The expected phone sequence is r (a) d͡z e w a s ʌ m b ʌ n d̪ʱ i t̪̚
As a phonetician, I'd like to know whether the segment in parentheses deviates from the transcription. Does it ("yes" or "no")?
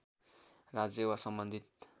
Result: no